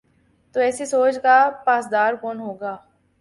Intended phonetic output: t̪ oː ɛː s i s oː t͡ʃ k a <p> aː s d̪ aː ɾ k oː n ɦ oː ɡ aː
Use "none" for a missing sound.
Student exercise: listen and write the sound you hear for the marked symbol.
p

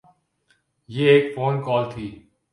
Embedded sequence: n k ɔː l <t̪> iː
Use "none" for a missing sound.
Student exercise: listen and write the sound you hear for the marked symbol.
t̪ʰ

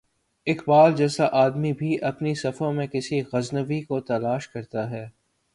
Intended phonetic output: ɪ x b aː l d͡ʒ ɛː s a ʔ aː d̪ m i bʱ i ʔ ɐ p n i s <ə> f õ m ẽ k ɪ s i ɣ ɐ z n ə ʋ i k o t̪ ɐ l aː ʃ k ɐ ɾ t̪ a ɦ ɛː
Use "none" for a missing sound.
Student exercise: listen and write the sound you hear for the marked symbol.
ɐ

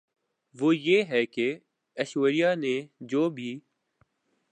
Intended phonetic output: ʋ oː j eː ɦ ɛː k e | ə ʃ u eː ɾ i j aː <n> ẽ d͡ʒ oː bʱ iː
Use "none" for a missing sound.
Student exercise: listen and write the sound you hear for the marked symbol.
n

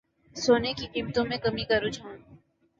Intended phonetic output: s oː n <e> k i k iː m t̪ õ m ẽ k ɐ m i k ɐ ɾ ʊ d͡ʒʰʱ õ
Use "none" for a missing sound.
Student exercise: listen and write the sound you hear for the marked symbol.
e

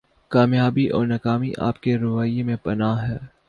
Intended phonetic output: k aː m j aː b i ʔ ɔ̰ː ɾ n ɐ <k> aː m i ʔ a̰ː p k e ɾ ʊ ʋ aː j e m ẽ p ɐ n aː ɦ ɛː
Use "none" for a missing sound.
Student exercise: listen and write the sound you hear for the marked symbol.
k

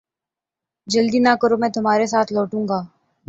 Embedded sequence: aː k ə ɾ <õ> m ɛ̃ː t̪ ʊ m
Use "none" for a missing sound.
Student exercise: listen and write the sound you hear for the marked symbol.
o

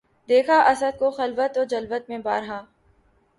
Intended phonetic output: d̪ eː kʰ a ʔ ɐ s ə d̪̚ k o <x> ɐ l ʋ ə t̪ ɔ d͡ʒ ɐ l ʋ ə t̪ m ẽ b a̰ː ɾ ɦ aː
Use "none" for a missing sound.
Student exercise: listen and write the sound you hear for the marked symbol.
x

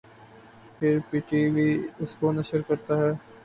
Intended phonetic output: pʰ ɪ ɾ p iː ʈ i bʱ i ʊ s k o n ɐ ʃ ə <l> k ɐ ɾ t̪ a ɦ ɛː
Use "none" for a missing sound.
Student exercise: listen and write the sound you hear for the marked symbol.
ɾ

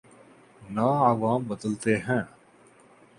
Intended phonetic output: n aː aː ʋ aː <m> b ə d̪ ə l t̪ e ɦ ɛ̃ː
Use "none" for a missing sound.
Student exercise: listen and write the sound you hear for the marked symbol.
m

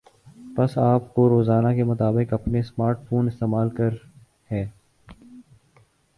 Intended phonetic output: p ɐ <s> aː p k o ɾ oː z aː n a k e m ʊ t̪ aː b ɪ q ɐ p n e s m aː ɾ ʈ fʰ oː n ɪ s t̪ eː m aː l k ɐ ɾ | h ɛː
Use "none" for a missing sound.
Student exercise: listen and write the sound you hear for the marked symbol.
s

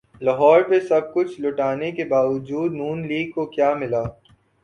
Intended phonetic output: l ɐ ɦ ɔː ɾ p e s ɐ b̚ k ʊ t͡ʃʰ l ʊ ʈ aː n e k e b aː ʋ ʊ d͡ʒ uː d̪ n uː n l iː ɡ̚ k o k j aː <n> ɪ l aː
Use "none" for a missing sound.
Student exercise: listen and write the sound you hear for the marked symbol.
m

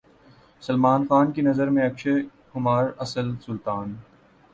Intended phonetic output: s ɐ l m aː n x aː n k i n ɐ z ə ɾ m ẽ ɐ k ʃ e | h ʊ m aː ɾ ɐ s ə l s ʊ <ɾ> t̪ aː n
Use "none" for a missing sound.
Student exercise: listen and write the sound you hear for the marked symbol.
l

